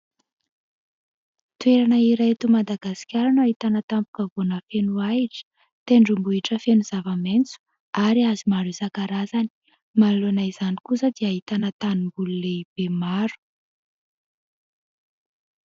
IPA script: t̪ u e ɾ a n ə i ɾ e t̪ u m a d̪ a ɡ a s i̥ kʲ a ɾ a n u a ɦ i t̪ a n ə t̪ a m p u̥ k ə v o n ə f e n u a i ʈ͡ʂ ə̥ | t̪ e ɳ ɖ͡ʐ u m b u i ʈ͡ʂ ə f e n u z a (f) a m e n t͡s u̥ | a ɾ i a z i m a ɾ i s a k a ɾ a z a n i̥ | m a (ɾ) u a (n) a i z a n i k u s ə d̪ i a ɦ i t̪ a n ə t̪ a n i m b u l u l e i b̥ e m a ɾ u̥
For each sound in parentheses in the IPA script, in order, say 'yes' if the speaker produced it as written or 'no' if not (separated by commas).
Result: no, no, yes